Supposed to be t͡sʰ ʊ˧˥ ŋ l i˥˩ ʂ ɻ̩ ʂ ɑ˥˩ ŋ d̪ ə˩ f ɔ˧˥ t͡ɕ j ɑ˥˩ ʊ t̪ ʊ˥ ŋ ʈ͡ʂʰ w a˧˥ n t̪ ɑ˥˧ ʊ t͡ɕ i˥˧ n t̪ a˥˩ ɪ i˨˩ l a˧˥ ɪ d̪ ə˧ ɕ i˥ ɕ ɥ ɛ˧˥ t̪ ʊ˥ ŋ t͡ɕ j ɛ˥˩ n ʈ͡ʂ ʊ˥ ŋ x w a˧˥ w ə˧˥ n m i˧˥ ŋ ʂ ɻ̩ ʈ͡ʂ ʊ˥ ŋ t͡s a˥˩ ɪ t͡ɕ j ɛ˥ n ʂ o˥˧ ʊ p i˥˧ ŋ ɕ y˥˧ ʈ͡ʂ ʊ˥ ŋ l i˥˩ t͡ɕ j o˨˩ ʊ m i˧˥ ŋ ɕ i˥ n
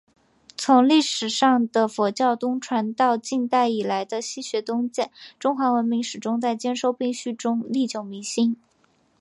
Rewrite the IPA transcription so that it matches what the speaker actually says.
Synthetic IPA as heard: t͡sʰ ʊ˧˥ ŋ l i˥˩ ʂ ɻ̩ ʂ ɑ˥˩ ŋ d̪ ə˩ f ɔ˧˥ t͡ɕ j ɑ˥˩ ʊ t̪ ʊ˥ ŋ ʈ͡ʂʰ w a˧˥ n t̪ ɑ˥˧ ʊ t͡ɕ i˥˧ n t̪ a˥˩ ɪ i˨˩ l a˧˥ ɪ d̪ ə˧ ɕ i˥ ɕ ɥ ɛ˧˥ t̪ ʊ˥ ŋ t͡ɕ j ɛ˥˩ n ʈ͡ʂ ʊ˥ ŋ x w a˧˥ w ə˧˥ n m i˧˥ ŋ ʂ ɻ̩ ʈ͡ʂ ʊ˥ ŋ t͡s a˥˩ ɪ t͡ɕ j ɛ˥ n ʂ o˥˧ ʊ p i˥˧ ŋ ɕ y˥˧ ʈ͡ʂ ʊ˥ ŋ l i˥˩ t͡ɕ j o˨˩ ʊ m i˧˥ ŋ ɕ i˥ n